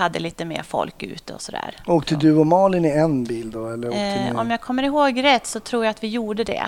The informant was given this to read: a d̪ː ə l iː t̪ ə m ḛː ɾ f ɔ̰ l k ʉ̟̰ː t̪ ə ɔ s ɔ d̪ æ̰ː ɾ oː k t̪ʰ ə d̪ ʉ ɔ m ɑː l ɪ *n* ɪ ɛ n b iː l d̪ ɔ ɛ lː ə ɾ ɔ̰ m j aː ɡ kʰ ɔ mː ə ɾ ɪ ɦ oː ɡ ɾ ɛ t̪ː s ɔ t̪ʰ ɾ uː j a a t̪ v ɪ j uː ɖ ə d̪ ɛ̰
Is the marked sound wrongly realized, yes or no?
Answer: no